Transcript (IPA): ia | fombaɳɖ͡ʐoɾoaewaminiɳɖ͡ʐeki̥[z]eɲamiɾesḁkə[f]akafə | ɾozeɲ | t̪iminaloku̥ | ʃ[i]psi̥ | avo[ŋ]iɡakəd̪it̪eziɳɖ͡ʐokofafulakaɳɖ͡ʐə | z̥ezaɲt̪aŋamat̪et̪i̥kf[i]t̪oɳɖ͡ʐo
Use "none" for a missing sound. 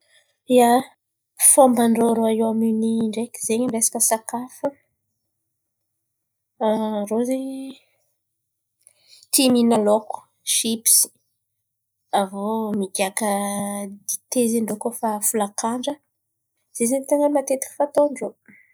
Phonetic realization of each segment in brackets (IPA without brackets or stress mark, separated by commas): z, s, i, m, a